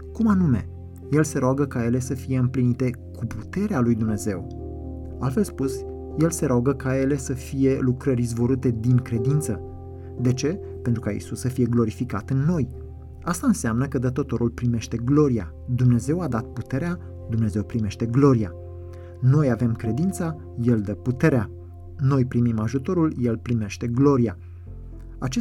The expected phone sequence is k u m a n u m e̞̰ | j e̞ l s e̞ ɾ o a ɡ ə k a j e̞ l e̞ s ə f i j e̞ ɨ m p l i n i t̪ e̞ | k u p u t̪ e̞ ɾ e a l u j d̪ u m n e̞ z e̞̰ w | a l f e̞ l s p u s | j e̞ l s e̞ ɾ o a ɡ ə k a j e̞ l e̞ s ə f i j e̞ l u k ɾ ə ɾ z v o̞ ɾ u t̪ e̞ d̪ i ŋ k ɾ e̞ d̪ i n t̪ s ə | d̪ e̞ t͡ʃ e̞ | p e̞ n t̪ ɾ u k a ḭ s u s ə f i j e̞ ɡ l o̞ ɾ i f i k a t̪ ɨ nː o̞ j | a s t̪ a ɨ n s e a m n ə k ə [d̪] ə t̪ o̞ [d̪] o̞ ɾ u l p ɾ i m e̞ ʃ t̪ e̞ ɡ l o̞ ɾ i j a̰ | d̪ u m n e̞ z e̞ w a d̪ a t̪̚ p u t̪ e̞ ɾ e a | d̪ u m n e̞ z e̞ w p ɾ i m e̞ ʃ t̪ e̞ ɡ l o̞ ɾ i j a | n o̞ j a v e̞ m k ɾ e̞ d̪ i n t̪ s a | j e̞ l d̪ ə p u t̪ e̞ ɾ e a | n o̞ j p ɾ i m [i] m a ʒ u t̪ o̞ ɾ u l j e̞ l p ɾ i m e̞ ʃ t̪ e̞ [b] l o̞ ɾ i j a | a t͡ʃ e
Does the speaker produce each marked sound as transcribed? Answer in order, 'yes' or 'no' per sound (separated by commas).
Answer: yes, no, yes, no